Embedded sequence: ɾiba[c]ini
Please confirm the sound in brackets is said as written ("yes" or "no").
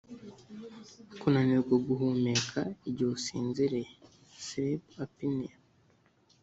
no